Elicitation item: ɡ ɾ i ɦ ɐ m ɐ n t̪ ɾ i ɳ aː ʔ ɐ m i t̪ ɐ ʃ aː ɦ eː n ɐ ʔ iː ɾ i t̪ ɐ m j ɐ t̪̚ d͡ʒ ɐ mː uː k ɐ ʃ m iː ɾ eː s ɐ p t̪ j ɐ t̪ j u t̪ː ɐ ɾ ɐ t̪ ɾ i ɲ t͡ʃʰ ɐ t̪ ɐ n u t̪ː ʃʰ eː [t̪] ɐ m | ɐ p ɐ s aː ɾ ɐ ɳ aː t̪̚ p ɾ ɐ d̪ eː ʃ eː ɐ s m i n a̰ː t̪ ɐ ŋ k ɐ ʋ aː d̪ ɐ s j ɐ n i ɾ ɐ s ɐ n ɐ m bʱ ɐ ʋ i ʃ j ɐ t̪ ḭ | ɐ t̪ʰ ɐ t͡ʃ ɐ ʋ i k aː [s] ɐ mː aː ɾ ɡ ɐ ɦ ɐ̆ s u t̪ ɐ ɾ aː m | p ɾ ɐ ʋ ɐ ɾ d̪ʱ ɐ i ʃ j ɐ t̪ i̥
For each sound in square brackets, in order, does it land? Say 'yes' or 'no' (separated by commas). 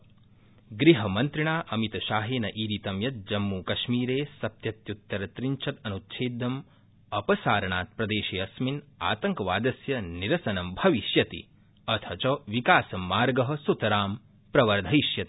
no, yes